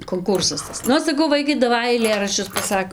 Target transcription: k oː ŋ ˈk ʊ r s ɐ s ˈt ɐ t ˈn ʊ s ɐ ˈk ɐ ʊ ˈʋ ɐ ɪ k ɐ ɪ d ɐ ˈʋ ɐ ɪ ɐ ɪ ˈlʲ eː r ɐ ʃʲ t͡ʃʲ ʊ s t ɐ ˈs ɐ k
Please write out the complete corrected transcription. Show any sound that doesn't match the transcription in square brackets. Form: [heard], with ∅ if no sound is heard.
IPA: k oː ŋ ˈk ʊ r s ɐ s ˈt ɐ [s] ˈn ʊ s ɐ ˈk ɐ ʊ ˈʋ ɐ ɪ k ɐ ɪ d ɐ ˈʋ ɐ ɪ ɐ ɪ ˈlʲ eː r ɐ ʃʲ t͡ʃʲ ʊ s [p] ɐ ˈs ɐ k